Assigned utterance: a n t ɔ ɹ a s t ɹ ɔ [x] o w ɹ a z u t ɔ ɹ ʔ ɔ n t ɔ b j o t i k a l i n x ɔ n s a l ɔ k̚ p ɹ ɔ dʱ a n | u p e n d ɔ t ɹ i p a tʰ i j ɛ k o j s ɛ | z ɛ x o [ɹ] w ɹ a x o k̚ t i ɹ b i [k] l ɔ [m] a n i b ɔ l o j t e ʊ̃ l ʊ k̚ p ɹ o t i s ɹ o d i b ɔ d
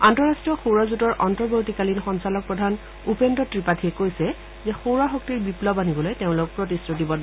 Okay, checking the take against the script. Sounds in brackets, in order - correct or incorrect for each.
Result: correct, incorrect, incorrect, incorrect

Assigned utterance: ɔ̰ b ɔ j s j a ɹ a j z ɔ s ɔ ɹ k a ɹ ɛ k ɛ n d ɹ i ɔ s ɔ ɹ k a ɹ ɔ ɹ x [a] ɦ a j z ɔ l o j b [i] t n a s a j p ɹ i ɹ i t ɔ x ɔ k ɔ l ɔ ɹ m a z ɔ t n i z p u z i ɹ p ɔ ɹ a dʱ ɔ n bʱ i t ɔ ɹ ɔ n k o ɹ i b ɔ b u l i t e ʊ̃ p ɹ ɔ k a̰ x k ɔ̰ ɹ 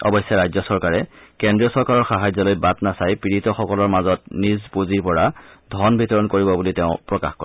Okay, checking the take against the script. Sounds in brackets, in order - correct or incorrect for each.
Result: correct, incorrect

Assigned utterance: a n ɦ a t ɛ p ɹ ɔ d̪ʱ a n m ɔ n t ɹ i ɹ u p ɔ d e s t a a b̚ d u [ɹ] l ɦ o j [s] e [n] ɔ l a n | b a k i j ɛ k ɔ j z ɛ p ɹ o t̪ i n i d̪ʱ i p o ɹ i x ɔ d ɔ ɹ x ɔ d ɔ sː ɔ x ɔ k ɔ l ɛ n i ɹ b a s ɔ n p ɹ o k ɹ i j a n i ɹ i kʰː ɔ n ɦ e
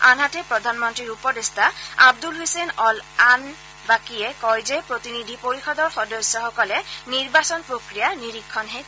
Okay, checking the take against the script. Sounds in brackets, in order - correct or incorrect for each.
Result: incorrect, correct, correct

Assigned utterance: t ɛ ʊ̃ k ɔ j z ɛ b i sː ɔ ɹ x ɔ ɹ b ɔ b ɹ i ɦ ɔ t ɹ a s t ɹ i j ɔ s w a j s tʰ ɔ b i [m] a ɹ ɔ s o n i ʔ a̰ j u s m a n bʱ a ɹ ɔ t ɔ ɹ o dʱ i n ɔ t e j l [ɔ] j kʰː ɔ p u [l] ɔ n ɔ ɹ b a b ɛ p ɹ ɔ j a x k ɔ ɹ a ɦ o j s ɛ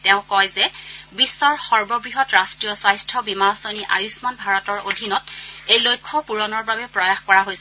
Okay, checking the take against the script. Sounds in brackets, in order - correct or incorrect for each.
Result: correct, incorrect, incorrect

